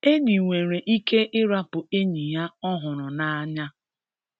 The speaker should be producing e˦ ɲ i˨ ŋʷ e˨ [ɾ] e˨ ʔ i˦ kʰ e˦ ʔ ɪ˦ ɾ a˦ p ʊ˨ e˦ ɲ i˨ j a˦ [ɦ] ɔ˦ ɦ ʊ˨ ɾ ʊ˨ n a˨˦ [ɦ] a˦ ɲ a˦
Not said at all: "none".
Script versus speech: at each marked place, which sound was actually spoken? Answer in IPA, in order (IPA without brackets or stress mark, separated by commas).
ɾ, none, none